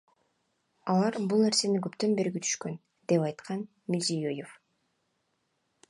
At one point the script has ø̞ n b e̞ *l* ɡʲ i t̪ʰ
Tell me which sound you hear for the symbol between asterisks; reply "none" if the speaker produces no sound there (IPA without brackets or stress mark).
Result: ɾ